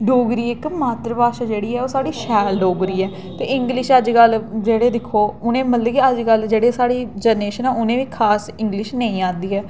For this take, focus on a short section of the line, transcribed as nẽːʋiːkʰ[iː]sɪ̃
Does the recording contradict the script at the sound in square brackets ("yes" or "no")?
yes